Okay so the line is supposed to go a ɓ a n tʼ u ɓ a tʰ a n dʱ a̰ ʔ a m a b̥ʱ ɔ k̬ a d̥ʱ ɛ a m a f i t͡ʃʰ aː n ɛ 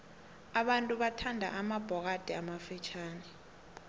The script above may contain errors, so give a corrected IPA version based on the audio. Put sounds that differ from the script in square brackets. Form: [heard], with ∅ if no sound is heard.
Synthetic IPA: a ɓ a n tʼ u ɓ a tʰ a n dʱ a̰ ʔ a m a b̥ʱ ɔ k̬ a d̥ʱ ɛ a m a f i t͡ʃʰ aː n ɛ

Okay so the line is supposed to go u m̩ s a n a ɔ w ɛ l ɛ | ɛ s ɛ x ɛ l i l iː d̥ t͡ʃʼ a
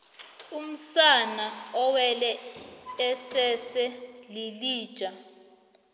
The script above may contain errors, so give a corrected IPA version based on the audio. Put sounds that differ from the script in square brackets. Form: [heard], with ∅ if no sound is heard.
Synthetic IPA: u m̩ s a n a ɔ w ɛ l ɛ | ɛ s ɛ [s] ɛ l i l iː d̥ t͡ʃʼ a

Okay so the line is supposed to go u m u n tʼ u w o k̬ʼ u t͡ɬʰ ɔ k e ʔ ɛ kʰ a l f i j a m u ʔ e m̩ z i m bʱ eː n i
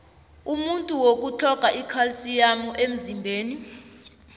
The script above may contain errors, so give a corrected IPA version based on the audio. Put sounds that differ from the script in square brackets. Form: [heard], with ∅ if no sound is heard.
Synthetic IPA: u m u n tʼ u w o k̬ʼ u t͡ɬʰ ɔ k [a] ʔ [i] kʰ a l [s] i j a m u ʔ e m̩ z i m bʱ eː n i

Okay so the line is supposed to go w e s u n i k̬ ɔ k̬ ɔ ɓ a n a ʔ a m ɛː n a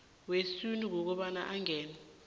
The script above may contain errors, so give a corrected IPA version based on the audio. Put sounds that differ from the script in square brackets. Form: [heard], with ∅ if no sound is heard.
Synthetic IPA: w e s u n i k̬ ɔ k̬ ɔ ɓ a n a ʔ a [ŋ] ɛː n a

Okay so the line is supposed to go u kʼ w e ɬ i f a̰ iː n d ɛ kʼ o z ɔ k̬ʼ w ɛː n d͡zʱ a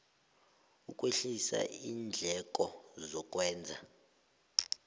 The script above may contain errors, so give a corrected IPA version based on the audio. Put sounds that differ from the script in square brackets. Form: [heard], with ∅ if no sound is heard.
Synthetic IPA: u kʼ w e ɬ i [s] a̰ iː n [d͡ɮʱ] ɛ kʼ [ɔ] z ɔ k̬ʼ w ɛː n d͡zʱ a

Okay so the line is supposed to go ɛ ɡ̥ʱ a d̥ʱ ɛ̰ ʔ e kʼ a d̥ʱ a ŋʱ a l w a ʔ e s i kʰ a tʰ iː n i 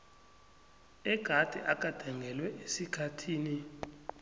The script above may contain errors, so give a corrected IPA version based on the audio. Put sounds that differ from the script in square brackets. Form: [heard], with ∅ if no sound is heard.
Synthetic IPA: ɛ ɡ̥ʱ a d̥ʱ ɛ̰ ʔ [a] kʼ a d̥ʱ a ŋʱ [ɛ] l w [ɛ] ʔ e s i kʰ a tʰ iː n i

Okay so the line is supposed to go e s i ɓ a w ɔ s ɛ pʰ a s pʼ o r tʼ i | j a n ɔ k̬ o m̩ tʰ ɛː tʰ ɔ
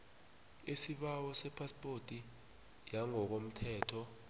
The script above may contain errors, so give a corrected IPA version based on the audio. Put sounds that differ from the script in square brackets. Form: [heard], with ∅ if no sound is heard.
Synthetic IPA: e s i ɓ a w ɔ s ɛ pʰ a s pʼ o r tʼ i | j a [ŋ] ɔ k̬ o m̩ tʰ ɛː tʰ ɔ

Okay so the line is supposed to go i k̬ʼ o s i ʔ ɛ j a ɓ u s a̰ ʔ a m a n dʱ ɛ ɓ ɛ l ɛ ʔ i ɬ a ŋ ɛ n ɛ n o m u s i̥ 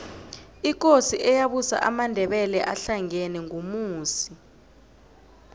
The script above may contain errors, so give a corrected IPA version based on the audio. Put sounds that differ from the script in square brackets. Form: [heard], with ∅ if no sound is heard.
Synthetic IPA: i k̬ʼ o s i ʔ ɛ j a ɓ u s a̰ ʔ a m a n dʱ ɛ ɓ ɛ l ɛ ʔ [a] ɬ a ŋ ɛ n ɛ [ŋ] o m [uː] s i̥

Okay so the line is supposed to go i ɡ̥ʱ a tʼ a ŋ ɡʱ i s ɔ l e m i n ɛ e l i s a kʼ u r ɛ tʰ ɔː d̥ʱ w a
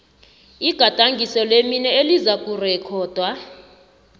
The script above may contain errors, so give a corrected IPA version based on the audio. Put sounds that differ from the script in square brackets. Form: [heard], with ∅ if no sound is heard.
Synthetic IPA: i ɡ̥ʱ a tʼ a ŋ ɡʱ i s ɔ l e m i n ɛ e l i [z] a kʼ u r ɛ [kʰ] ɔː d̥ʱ w a

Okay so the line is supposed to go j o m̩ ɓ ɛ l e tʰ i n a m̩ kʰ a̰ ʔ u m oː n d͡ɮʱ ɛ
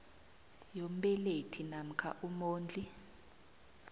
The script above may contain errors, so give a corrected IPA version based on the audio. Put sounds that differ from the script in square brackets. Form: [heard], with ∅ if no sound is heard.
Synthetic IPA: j o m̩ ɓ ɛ l e tʰ i n a m̩ kʰ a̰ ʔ u m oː n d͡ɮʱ [i]

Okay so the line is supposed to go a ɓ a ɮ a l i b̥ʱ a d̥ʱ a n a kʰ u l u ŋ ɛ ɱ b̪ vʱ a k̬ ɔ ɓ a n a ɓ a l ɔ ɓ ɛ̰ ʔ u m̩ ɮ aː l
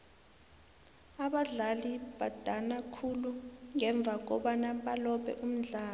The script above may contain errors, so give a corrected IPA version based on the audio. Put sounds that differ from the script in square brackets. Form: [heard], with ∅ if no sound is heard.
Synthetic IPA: a ɓ a ɮ a l i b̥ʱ a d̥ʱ a n a kʰ u l u ŋ ɛ ɱ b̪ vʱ a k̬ ɔ ɓ a n a ɓ a l ɔ ɓ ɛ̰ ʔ u m̩ ɮ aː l

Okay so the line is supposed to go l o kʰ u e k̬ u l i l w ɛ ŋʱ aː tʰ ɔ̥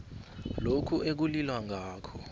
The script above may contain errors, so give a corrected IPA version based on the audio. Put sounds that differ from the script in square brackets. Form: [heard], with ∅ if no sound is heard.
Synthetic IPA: l o kʰ u e k̬ u l i l w [a] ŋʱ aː [kʰ] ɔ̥

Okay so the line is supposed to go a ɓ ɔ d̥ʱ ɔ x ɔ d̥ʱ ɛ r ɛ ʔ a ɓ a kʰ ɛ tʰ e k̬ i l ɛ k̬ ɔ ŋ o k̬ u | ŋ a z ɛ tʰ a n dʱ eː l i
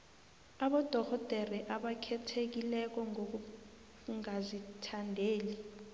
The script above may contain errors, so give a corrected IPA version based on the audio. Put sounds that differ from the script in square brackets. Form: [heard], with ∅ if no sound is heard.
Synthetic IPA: a ɓ ɔ d̥ʱ ɔ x ɔ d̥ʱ ɛ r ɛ ʔ a ɓ a kʰ ɛ tʰ e k̬ i l ɛ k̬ ɔ ŋ o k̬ u | ŋ a z [i] tʰ a n dʱ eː l i

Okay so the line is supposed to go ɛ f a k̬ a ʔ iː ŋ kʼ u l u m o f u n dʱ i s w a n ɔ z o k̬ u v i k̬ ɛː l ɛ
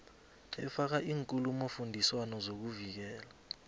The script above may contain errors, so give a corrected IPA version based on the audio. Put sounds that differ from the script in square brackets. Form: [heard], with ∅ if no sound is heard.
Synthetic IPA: ɛ f a k̬ a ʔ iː ŋ kʼ u l u m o f u n dʱ i s w a n ɔ z o k̬ u v i k̬ ɛː l [a]

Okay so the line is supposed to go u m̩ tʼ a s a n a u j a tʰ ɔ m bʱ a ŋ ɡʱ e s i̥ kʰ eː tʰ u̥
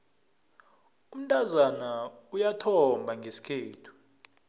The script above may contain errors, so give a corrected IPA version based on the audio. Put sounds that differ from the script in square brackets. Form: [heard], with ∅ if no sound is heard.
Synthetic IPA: u m̩ tʼ a [z] a n a u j a tʰ ɔ m bʱ a ŋ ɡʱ e s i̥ kʰ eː tʰ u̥

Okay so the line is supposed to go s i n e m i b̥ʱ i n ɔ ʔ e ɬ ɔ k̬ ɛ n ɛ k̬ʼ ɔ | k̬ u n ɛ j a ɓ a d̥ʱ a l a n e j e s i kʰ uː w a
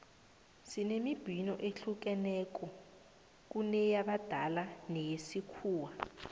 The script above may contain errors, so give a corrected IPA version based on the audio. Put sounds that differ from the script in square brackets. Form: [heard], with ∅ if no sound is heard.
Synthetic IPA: s i n e m i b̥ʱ i n ɔ ʔ e ɬ [u] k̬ ɛ n ɛ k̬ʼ ɔ | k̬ u n ɛ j a ɓ a d̥ʱ a l a n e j e s i kʰ uː w a

